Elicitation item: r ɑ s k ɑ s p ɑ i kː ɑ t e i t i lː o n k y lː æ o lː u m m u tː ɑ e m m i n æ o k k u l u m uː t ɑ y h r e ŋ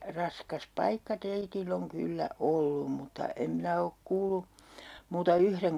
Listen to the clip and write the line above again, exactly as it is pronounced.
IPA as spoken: r ɑ s k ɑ s p ɑ i kː ɑ t e i t i lː o ŋ k y lː æ o lː u m m u tː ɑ e m m i n æ o k k uː l u m uː t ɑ y h r e ŋ